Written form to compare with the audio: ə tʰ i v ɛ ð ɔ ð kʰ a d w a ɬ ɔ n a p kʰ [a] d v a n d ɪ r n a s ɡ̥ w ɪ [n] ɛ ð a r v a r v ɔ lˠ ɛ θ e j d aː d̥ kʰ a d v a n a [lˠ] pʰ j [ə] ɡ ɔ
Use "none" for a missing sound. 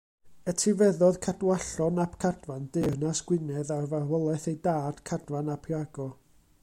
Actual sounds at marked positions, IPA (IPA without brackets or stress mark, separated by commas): a, n, none, a